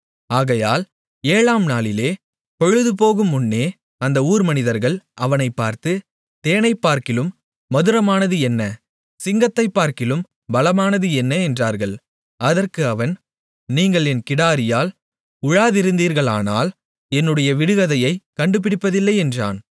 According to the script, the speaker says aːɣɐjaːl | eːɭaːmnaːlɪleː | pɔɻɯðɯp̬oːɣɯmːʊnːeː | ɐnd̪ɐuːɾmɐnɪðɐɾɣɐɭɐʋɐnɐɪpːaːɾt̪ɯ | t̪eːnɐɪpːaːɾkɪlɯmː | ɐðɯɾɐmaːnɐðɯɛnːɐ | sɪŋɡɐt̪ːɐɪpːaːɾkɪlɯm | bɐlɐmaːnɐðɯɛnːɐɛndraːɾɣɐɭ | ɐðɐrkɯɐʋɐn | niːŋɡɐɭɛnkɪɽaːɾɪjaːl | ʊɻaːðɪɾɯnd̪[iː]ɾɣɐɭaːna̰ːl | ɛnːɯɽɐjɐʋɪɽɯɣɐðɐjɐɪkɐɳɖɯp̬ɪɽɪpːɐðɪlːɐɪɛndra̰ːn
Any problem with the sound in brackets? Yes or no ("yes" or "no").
no